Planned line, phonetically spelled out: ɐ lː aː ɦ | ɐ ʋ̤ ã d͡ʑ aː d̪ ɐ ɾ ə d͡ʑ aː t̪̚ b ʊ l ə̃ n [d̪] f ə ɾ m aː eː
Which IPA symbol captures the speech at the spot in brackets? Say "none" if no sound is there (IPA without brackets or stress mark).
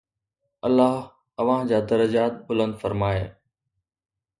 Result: d̪